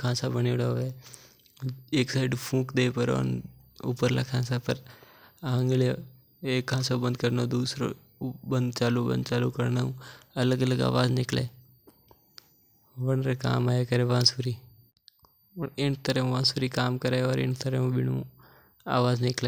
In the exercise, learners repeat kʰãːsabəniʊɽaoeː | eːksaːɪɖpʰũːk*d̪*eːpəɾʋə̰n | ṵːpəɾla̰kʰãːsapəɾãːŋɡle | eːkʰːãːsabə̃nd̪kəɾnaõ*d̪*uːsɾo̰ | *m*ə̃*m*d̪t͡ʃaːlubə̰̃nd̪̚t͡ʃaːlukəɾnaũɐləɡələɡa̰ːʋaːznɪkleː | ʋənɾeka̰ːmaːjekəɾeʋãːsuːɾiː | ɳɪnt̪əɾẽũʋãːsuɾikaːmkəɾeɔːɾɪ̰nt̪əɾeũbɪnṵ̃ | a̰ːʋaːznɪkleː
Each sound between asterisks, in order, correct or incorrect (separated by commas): correct, correct, incorrect, incorrect